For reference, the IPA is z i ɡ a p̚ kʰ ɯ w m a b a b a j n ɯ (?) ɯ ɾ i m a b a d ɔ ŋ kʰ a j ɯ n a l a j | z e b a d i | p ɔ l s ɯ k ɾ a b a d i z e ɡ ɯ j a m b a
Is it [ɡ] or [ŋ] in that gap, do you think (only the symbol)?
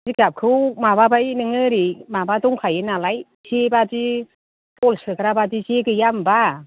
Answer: ŋ